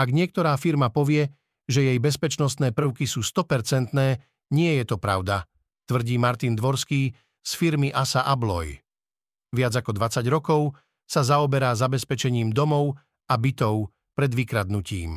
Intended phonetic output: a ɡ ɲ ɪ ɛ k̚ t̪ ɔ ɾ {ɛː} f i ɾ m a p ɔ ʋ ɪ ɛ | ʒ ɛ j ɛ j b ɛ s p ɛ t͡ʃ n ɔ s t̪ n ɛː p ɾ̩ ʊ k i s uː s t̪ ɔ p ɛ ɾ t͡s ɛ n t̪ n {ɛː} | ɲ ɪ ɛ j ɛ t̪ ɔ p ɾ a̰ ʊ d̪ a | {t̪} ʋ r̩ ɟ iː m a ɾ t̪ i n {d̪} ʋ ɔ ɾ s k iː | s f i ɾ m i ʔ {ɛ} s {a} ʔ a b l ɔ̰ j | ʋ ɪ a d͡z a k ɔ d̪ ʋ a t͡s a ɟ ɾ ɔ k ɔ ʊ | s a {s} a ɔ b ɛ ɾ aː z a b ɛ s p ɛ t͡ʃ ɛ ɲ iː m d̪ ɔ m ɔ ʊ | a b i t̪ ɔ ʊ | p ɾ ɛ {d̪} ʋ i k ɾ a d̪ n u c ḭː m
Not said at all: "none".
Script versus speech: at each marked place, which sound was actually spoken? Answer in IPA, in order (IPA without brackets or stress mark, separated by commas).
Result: aː, ɛː, t̪, d̪, a, a, z, d̪